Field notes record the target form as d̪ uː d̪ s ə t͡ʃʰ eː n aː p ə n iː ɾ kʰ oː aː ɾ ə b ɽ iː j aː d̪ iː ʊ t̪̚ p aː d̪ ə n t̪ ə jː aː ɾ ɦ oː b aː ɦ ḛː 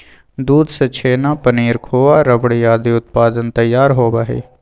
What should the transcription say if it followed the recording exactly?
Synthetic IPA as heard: d̪ uː d̪ s ə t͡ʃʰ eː n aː p ə n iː ɾ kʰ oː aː ɾ ə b ɽ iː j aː d̪ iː ʊ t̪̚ p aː d̪ ə n t̪ ə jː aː ɾ ɦ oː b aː ɦ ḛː

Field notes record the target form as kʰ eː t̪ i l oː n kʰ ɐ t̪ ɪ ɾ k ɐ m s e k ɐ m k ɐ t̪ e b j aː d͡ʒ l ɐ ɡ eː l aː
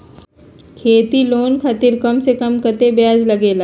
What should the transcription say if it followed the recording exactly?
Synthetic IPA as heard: kʰ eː t̪ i l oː n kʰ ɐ t̪ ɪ ɾ k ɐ m s e k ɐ m k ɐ t̪ e b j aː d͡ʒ l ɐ ɡ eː l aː

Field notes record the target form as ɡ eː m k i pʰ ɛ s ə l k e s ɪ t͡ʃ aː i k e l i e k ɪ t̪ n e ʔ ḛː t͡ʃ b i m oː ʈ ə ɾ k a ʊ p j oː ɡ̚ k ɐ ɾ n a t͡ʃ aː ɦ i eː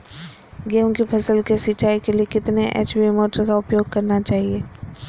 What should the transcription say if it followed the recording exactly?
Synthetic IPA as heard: ɡ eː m k i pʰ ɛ s ə l k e s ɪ t͡ʃ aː i k e l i e k ɪ t̪ n e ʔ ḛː t͡ʃ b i m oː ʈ ə ɾ k a ʊ p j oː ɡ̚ k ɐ ɾ n a t͡ʃ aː ɦ i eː

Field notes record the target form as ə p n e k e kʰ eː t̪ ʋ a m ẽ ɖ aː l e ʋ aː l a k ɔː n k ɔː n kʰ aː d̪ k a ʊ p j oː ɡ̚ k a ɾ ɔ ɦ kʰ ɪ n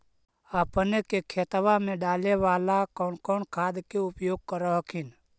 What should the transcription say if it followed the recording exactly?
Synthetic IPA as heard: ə p n e k e kʰ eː t̪ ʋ a m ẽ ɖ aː l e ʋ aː l a k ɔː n k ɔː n kʰ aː d̪ k e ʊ p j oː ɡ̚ k ə ɾ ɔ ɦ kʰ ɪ n

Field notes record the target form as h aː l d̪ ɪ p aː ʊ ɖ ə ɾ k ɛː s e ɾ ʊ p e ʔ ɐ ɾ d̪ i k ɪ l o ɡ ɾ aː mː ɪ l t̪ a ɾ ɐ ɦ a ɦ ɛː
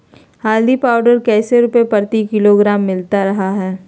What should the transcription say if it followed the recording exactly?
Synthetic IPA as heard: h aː l d̪ i p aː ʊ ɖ ə ɾ k ɛː s e ɾ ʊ p e p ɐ ɾ t̪ i k ɪ l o ɡ ɾ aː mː ɪ l t̪ a ɾ ɐ ɦ a ɦ ɛː

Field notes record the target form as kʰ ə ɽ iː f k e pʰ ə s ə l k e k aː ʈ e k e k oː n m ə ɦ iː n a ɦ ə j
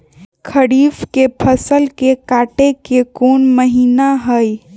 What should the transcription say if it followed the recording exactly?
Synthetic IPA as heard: kʰ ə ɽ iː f k e pʰ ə s ə l k e k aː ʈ e k e k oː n m ə ɦ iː n a ɦ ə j

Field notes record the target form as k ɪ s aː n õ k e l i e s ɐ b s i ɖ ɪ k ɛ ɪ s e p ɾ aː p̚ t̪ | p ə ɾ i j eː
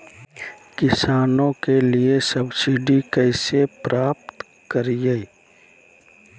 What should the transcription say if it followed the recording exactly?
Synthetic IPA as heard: k ɪ s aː n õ k e l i e s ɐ b s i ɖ i k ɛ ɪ s e p ɾ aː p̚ t̪ | k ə ɾ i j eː

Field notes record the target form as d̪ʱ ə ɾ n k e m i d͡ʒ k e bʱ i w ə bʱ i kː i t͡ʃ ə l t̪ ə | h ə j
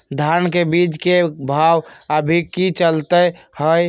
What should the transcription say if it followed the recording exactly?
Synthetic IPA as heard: d̪ʱ a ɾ n k e b i d͡ʒ k e bʱ a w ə bʱ i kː i t͡ʃ ə l t̪ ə | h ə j

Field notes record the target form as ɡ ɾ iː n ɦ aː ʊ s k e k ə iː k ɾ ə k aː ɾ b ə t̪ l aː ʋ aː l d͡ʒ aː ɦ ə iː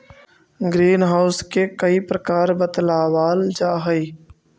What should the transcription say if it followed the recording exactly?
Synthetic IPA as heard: ɡ ɾ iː n ɦ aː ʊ s k e k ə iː p ɾ ə k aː ɾ b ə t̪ l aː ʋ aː l d͡ʒ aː ɦ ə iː

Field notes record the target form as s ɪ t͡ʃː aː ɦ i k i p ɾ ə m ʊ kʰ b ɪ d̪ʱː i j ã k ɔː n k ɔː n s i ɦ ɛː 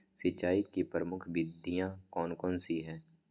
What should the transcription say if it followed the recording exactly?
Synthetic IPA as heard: s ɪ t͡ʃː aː i k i p ɾ ə m ʊ kʰ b ɪ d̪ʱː i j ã k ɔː n k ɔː n s i ɦ ɛː

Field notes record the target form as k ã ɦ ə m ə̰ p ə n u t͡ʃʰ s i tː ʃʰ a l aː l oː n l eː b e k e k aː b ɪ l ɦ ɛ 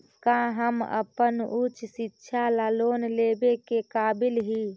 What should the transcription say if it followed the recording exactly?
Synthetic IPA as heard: k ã ɦ ə m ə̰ p ə n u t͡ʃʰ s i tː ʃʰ a l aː l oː n l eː b e k e k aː b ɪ l ɦ i

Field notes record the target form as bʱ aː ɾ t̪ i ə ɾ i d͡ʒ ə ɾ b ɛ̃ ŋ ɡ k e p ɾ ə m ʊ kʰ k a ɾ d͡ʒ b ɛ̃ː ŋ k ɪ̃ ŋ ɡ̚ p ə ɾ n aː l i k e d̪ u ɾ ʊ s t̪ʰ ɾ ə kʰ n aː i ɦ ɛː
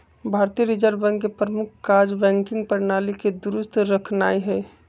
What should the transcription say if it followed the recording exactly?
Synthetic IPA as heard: bʱ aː ɾ t̪ i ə ɾ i d͡ʒ ə ɾ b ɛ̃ ŋ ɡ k e p ɾ ə m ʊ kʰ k a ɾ d͡ʒ b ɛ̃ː ŋ k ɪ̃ ŋ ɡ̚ p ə ɾ n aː l i k e d̪ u ɾ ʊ s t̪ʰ ɾ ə kʰ n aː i ɦ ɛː

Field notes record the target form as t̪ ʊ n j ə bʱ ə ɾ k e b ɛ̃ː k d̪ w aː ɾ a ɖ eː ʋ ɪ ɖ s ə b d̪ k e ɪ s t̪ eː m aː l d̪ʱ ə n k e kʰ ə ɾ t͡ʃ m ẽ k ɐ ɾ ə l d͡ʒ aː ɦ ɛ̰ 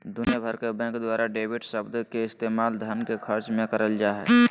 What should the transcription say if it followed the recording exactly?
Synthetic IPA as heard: d̪ ʊ n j ə bʱ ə ɾ k e b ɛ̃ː k d̪ w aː ɾ a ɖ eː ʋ ɪ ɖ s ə b d̪ k e ɪ s t̪ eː m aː l d̪ʱ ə n k e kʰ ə ɾ t͡ʃ m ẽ k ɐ ɾ ə l d͡ʒ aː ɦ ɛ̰

